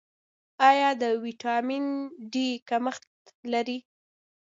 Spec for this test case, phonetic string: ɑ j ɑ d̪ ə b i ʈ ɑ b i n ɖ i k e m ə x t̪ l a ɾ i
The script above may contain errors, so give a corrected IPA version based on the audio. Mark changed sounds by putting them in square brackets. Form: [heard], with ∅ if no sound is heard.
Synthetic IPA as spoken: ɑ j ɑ d̪ ə [w] i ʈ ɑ [m] i n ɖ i k [a] m ə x t̪ l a ɾ i